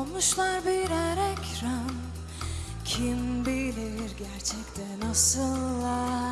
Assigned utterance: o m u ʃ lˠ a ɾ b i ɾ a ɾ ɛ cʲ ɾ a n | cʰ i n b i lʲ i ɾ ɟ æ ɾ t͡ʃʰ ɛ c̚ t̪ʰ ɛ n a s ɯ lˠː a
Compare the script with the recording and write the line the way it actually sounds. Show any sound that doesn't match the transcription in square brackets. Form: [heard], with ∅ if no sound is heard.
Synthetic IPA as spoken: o m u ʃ lˠ a ɾ b i ɾ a ɾ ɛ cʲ ɾ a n | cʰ i [m] b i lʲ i ɾ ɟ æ ɾ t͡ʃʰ ɛ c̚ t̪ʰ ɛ n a s ɯ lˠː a